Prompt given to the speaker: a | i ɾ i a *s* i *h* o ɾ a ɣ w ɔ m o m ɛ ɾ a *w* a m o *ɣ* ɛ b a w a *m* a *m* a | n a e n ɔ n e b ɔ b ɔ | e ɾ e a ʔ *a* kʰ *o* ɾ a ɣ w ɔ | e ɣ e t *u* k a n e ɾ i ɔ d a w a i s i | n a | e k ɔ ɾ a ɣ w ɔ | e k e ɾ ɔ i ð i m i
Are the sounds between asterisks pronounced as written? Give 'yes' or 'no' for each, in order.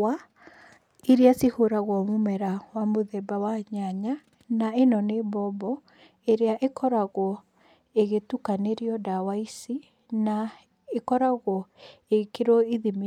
yes, yes, yes, no, no, no, no, no, yes

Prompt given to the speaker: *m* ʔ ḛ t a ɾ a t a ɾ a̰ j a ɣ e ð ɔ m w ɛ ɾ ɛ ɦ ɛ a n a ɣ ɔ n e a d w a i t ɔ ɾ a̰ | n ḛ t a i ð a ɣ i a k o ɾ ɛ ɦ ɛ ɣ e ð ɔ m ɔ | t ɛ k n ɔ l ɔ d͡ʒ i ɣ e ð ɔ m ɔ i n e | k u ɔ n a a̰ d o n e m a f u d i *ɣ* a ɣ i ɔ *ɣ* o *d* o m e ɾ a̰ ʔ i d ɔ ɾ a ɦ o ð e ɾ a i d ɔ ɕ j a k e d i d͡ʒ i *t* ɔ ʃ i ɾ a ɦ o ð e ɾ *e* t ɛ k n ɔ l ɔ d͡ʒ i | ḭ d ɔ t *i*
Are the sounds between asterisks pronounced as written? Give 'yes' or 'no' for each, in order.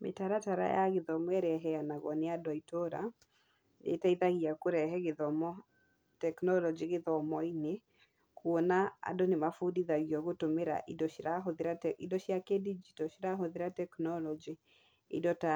yes, no, yes, no, yes, no, no

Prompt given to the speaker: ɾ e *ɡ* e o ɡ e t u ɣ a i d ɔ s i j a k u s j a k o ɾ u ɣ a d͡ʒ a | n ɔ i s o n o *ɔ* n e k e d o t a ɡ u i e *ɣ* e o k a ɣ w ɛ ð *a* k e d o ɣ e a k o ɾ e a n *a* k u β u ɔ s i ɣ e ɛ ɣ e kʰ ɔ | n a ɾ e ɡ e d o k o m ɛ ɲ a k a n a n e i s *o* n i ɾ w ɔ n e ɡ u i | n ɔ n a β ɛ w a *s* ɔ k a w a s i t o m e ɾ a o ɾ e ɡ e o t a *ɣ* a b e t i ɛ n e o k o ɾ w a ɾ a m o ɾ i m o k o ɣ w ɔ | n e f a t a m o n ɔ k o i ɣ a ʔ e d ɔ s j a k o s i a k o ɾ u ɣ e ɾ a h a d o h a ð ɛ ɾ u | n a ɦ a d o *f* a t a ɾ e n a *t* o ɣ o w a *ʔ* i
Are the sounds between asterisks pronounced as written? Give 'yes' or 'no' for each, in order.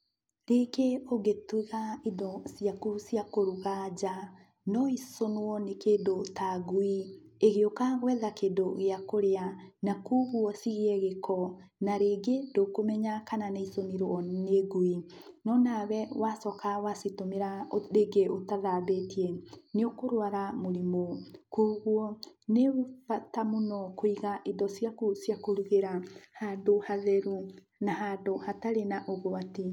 no, yes, yes, yes, yes, yes, yes, no, no, no, no

